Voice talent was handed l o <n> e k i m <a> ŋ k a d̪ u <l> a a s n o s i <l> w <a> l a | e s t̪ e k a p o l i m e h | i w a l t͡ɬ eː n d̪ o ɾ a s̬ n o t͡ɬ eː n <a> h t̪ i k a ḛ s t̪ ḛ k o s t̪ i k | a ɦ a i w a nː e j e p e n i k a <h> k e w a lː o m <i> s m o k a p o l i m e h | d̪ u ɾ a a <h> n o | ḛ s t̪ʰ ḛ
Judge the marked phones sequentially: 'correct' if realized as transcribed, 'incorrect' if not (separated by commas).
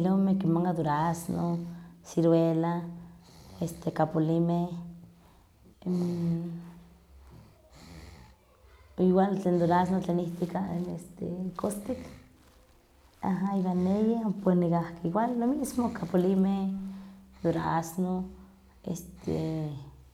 incorrect, correct, incorrect, incorrect, incorrect, incorrect, correct, correct, incorrect